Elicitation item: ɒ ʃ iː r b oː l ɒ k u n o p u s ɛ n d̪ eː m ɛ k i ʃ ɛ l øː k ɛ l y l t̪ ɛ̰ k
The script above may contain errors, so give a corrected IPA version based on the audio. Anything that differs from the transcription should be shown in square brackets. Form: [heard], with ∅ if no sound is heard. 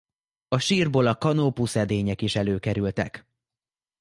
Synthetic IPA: ɒ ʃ iː r b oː l ɒ k [ɒ] n o p u s ɛ [∅] d̪ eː [ɲ] ɛ k i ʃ ɛ l øː k ɛ [ɾ] y l t̪ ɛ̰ k